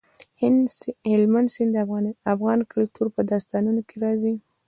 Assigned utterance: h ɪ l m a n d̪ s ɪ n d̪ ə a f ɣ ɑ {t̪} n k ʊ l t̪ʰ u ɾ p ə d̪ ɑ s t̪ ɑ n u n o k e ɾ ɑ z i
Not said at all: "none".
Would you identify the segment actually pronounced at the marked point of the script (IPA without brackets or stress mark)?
none